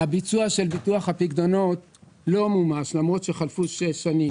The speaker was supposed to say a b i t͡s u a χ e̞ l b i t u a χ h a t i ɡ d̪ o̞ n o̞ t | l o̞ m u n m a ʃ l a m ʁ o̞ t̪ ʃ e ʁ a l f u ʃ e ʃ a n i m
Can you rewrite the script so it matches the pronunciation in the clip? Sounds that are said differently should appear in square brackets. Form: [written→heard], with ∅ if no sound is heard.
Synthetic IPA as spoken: a b i t͡s u a [χ→ʃ] e̞ l b i t u a χ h a [t→p] i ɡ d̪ o̞ n o̞ t | l o̞ m u [n→∅] m a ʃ l a m ʁ o̞ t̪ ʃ e [ʁ→χ] a l f u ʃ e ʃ a n i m